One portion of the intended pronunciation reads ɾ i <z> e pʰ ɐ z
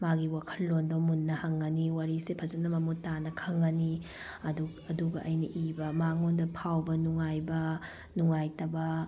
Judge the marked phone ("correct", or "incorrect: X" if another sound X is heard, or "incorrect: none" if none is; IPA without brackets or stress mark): incorrect: s